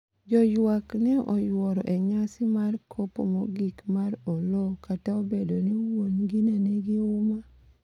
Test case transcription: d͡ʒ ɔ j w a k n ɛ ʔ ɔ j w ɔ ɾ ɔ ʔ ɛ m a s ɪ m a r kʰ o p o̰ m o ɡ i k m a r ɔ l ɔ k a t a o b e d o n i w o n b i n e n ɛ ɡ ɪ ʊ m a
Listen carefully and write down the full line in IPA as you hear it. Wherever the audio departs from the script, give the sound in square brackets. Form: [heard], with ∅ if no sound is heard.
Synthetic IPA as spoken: d͡ʒ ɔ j w a k n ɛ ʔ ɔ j w ɔ ɾ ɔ ʔ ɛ [ɲ] a s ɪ m a r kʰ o p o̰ m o ɡ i k m a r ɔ l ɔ k a t a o b e d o n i w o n [ɡ] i n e n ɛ ɡ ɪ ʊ m a